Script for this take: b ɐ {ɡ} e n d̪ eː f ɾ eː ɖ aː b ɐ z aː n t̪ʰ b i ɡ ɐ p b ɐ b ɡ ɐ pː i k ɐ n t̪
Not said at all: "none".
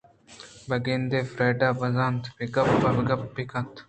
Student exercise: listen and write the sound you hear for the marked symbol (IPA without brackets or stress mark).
ɡ